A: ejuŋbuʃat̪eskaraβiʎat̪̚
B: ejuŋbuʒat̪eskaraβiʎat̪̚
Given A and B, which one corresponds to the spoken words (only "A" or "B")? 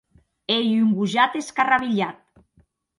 B